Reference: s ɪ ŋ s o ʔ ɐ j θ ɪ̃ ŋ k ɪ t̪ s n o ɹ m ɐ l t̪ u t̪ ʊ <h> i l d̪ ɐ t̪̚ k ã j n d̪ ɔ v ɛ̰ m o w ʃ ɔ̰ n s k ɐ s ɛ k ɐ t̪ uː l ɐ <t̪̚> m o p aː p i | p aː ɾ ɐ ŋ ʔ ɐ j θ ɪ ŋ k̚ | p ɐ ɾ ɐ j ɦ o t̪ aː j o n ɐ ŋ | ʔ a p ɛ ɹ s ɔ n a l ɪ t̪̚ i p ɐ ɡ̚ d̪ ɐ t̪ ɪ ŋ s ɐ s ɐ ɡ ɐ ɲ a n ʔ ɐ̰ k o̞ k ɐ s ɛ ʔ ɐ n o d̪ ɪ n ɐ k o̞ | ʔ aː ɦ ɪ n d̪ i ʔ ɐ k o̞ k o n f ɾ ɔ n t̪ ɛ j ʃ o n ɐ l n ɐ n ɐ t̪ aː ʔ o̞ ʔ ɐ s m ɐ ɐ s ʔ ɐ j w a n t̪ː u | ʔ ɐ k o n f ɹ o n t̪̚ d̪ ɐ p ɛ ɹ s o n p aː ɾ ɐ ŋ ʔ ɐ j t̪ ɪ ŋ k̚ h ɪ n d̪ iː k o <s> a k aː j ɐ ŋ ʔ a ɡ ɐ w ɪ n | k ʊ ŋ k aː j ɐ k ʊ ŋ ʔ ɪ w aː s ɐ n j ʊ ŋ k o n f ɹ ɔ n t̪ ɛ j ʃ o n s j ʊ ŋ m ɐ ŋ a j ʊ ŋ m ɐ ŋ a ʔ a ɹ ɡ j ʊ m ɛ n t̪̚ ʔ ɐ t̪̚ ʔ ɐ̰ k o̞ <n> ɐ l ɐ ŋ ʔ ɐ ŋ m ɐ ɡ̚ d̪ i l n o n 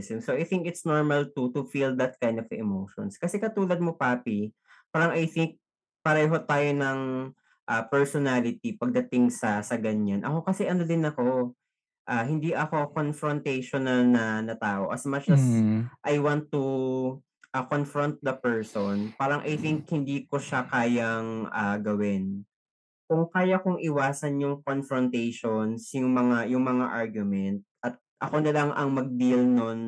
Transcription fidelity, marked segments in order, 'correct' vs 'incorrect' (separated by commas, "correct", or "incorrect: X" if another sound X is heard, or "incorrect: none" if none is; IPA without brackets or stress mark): incorrect: f, incorrect: d̪̚, incorrect: ʃ, correct